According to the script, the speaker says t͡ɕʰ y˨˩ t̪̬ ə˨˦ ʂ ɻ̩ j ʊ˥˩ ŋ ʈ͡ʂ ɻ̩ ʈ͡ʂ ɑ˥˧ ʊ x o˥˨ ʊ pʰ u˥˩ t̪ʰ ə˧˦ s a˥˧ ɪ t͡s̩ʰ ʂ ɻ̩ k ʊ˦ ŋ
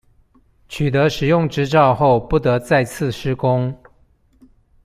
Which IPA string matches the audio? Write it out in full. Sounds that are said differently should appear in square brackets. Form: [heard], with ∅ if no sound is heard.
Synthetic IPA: t͡ɕʰ y˨˩ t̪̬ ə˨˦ ʂ ɻ̩ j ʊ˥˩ ŋ ʈ͡ʂ ɻ̩ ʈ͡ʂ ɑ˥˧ ʊ x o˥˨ ʊ [p] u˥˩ [t̪] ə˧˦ [t͡s] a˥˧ ɪ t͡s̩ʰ ʂ ɻ̩ k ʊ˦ ŋ